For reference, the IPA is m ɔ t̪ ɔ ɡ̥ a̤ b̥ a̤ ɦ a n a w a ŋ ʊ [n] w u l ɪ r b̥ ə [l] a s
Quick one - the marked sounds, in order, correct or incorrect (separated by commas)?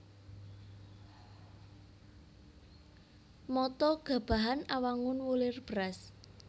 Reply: correct, incorrect